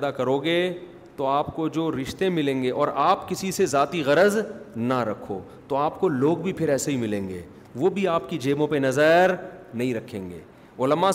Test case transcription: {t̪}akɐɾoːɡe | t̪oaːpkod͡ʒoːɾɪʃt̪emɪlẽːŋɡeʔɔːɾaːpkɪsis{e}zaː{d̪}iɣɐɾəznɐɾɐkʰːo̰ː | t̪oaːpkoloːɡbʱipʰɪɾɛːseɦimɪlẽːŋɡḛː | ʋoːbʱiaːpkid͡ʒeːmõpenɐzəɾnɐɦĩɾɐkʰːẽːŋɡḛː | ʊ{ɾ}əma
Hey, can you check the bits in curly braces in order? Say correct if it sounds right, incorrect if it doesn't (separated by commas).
incorrect, correct, incorrect, incorrect